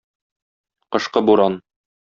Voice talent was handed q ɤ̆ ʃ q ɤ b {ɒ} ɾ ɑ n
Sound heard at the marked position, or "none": u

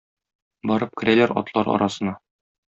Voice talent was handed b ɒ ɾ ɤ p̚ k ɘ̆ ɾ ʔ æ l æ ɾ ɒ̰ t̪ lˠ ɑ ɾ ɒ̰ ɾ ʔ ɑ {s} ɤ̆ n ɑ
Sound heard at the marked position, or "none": s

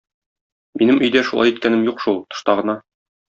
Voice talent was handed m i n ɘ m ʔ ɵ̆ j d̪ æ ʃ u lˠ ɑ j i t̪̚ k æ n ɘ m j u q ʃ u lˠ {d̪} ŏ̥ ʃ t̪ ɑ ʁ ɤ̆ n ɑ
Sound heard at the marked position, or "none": t̪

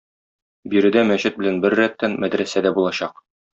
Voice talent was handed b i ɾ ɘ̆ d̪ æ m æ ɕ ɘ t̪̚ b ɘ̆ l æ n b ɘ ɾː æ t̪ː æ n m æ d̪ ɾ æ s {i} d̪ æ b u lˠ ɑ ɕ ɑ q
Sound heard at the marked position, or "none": æ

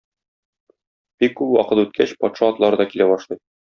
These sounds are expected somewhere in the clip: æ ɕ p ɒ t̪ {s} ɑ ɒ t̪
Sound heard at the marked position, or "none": ʃ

